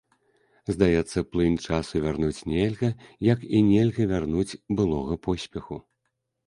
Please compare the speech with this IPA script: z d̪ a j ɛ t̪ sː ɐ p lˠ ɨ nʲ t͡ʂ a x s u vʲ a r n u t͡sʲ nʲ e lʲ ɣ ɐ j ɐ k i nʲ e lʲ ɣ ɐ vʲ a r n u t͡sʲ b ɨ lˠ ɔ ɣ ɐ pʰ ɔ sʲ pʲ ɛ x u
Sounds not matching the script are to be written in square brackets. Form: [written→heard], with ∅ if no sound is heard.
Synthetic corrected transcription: z d̪ a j ɛ t̪ sː ɐ p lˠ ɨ nʲ t͡ʂ a [x→∅] s u vʲ a r n u t͡sʲ nʲ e lʲ ɣ ɐ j ɐ k i nʲ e lʲ ɣ ɐ vʲ a r n u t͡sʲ b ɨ lˠ ɔ ɣ ɐ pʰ ɔ sʲ pʲ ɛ x u

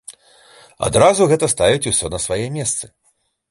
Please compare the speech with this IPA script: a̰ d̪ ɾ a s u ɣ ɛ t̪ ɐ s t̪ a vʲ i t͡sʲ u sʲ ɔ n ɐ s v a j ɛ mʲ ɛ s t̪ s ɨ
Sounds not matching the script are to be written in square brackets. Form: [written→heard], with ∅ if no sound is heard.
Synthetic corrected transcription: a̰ d̪ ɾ a [s→z] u ɣ ɛ t̪ ɐ s t̪ a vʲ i t͡sʲ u sʲ ɔ n ɐ s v a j ɛ mʲ ɛ s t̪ s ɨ

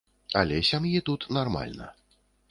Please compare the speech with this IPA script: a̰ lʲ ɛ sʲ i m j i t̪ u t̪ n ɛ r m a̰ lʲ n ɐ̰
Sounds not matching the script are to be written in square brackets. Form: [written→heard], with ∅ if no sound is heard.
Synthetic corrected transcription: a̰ lʲ ɛ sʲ [i→a] m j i t̪ u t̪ n [ɛ→a] r m a̰ lʲ n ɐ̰

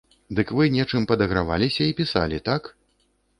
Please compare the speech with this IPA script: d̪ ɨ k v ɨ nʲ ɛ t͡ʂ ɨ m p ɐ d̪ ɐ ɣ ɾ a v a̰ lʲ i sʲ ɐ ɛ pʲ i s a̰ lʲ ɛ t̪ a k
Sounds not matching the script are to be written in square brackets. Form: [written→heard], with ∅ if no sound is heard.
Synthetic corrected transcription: d̪ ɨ k v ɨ nʲ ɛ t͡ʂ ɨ m p ɐ d̪ ɐ ɣ ɾ a v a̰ lʲ i sʲ ɐ [ɛ→i] pʲ i s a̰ lʲ [ɛ→i] t̪ a k

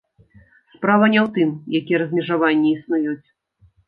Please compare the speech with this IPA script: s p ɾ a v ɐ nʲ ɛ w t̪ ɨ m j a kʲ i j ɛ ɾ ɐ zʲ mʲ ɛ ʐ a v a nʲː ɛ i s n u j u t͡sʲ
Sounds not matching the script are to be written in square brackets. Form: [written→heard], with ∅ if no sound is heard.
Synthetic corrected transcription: s p ɾ a v ɐ nʲ ɛ w t̪ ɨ m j a kʲ i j ɛ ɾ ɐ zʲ mʲ ɛ ʐ a v a nʲː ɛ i s n u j u t͡sʲ

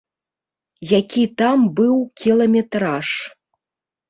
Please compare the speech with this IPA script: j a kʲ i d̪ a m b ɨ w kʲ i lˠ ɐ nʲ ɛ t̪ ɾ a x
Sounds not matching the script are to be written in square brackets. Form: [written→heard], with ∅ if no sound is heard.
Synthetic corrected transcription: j a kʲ i [d̪→t̪] a m b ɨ w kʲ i lˠ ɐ [nʲ→mʲ] ɛ t̪ ɾ a [x→ʂ]

